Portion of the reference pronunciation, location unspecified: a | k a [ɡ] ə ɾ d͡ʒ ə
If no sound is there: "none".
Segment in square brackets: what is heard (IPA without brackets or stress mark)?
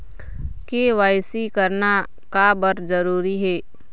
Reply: b